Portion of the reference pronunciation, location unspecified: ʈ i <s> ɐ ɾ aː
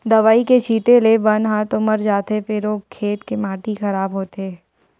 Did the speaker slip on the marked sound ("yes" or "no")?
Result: yes